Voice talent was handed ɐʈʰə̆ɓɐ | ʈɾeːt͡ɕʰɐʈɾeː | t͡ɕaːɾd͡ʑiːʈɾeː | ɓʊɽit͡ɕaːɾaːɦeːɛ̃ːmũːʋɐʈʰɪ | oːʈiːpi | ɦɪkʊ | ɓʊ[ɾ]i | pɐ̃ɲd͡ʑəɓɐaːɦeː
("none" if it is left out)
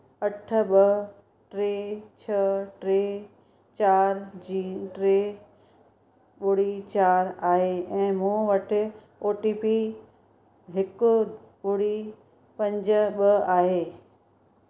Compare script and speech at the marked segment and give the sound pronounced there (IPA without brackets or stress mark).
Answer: ɽ